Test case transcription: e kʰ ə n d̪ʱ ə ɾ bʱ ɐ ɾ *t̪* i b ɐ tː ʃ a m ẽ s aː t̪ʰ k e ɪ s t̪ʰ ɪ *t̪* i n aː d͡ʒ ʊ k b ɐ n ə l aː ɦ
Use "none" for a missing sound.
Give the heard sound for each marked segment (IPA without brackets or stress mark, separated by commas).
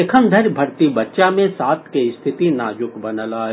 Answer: t̪, t̪